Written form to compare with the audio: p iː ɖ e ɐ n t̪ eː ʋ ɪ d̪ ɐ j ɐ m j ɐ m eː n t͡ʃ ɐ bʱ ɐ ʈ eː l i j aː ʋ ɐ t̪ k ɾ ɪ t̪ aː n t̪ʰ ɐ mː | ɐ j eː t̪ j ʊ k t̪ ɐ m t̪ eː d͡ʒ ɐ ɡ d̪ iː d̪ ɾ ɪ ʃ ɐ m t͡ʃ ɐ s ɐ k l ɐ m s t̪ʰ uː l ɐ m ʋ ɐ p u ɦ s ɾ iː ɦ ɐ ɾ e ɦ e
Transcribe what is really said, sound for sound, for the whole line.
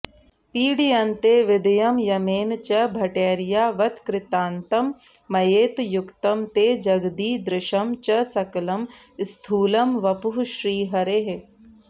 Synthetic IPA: p iː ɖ i ɐ n t̪ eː ʋ ɪ d̪ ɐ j ɐ m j ɐ m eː n t͡ʃ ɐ bʱ ɐ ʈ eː ɾ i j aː ʋ ɐ t̪ k ɾ ɪ t̪ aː n t̪ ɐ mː | ɐ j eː t̪ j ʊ k t̪ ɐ m t̪ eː d͡ʒ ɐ ɡ d̪ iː d̪ ɾ ɪ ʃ ɐ m t͡ʃ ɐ s ɐ k l ɐ m s t̪ʰ uː l ɐ m ʋ ɐ p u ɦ ʃ ɾ iː ɦ ɐ ɾ e ɦ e